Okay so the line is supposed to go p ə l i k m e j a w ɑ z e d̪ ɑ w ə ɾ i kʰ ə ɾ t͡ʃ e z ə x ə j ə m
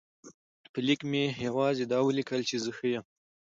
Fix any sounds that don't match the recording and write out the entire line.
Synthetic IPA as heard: p ə l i k m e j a w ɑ z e d̪ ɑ w ə l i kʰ ə l t͡ʃ e z ə x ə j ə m